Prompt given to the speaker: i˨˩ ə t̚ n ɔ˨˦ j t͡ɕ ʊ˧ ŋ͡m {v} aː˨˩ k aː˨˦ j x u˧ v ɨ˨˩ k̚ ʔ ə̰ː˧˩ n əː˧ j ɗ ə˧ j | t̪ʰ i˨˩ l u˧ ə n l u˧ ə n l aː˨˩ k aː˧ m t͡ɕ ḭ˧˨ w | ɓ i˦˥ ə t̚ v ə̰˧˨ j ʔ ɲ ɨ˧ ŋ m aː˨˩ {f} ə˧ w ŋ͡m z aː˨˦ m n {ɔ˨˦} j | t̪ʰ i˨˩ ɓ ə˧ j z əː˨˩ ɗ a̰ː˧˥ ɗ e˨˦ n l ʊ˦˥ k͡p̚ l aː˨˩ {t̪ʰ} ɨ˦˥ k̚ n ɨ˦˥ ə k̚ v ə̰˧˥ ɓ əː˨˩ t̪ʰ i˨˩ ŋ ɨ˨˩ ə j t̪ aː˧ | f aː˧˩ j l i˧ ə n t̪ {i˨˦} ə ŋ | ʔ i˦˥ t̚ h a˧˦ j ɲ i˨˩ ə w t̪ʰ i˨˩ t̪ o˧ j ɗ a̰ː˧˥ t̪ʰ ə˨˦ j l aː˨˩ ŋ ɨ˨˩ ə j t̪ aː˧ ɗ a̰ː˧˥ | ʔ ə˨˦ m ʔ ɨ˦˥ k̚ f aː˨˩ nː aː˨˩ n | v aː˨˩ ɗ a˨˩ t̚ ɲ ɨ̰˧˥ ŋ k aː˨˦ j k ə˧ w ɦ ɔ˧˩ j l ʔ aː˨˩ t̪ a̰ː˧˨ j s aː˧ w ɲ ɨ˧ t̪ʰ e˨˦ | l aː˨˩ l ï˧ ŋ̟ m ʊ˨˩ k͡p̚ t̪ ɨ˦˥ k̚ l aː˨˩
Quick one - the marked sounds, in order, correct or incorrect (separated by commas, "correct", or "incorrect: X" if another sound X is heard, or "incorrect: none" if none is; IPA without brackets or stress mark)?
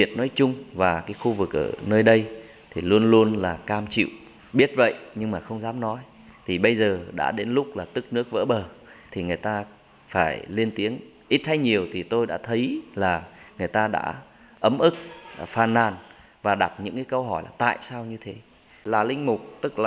correct, incorrect: x, correct, incorrect: t̪, correct